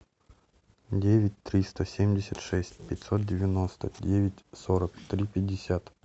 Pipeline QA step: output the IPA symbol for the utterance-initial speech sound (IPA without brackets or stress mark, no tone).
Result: dʲ